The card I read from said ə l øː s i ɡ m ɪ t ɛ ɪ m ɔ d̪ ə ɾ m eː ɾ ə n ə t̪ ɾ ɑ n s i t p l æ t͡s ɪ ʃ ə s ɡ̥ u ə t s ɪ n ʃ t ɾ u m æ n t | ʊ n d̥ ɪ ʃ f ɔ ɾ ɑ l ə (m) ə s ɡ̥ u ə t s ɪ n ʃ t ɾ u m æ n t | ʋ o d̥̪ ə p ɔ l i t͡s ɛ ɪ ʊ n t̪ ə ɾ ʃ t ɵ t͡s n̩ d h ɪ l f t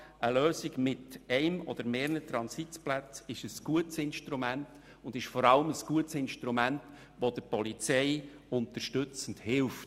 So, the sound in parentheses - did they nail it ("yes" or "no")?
yes